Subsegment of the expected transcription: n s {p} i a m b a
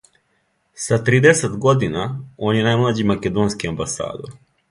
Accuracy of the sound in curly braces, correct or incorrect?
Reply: incorrect